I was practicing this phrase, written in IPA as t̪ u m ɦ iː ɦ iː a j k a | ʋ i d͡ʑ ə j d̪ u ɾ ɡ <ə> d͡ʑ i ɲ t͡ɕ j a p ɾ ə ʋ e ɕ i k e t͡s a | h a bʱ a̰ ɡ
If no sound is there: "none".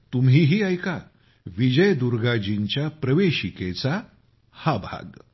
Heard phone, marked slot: a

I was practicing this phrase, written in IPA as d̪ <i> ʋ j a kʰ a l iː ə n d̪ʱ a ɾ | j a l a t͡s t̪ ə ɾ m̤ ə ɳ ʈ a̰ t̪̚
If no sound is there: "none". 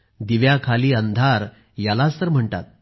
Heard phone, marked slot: i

